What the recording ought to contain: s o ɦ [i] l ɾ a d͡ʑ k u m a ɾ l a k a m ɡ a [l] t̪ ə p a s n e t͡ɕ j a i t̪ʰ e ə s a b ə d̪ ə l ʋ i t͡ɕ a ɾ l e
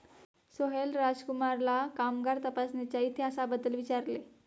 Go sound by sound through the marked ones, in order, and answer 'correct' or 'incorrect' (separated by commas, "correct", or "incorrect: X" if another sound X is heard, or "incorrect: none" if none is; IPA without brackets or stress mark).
incorrect: e, incorrect: ɾ